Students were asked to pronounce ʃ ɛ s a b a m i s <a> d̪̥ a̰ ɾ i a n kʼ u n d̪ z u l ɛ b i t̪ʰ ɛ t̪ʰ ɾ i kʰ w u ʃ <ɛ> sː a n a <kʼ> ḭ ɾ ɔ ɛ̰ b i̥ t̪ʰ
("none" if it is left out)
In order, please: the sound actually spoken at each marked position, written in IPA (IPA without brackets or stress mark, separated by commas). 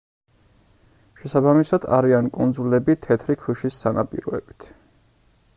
a, i, pʼ